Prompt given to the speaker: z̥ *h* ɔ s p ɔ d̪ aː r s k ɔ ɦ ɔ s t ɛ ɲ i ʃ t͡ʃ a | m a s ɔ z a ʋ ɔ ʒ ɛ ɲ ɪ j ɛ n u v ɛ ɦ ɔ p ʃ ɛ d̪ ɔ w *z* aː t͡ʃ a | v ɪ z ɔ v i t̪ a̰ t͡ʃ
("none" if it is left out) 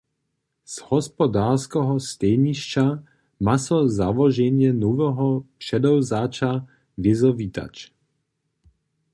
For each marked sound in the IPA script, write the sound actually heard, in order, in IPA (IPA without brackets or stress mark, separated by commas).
h, z